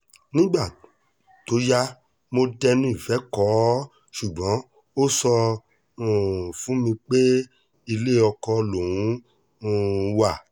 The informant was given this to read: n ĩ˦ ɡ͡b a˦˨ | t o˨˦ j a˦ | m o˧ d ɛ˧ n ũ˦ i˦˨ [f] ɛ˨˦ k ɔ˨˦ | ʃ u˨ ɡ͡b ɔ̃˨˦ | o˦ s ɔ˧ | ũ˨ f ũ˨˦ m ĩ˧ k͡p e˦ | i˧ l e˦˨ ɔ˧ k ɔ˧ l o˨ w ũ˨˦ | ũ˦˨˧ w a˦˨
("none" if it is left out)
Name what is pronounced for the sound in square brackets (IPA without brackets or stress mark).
f